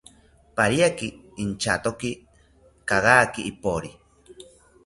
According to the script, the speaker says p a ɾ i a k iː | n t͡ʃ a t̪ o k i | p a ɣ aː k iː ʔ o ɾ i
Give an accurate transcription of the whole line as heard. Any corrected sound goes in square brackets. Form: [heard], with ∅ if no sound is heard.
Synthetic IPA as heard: p a ɾ i a k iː | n t͡ʃ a t̪ o k i | [k] a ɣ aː k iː [p] o ɾ i